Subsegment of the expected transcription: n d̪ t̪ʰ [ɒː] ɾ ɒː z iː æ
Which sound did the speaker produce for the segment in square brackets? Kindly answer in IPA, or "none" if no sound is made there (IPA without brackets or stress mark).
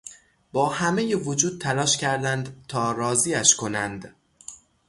ɒː